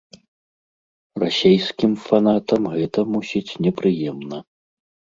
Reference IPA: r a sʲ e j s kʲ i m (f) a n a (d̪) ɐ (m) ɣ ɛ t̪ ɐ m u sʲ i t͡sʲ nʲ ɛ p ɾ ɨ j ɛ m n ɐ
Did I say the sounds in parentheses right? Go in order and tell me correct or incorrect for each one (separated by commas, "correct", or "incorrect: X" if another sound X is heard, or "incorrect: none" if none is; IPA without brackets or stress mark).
correct, incorrect: t̪, correct